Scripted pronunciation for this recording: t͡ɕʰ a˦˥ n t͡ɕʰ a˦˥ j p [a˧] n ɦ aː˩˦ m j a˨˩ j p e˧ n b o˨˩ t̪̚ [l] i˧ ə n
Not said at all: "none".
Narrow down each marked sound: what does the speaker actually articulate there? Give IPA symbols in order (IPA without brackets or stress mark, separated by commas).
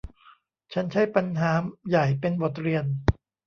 a˧, ɾ